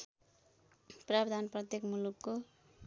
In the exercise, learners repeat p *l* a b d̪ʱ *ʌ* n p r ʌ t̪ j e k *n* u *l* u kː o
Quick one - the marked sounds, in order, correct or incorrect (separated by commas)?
incorrect, incorrect, incorrect, correct